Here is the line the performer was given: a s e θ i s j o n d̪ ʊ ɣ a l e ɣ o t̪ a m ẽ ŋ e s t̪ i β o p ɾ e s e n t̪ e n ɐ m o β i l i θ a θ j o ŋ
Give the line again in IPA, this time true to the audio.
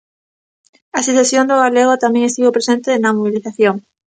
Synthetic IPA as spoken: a s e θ e s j o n d̪ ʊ ɣ a l e ɣ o t̪ a m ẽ ŋ e s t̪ i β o p ɾ e s e n t̪ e n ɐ m o β i l i θ a θ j o ŋ